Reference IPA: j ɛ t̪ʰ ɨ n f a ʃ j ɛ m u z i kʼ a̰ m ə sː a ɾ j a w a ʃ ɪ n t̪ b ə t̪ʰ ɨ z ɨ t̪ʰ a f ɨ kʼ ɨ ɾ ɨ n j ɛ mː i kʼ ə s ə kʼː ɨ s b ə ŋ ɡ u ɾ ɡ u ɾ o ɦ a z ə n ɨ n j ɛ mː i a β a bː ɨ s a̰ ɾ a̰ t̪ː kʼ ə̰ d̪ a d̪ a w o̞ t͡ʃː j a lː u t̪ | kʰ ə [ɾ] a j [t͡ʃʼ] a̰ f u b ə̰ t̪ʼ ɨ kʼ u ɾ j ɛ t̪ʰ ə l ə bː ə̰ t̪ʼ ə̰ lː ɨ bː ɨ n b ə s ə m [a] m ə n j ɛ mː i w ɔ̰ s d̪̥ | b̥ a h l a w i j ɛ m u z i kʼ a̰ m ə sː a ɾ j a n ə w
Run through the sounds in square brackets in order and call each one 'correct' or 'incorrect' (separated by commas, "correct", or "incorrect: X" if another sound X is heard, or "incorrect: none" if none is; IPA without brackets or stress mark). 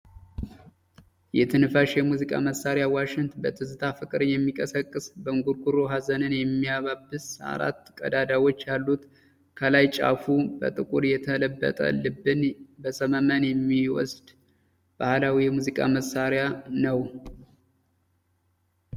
incorrect: l, correct, incorrect: ə